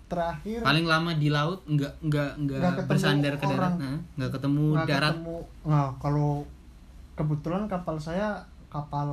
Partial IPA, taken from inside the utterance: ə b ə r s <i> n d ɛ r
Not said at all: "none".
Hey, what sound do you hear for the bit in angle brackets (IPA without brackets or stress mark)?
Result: a